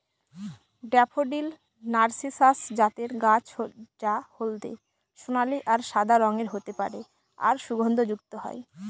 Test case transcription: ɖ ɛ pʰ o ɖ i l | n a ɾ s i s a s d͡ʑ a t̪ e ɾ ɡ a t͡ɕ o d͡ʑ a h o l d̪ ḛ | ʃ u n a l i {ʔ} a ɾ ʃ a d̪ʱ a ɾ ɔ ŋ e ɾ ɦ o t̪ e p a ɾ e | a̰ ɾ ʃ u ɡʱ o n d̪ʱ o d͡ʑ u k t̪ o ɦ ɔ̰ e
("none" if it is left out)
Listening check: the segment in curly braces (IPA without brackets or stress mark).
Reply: ʔ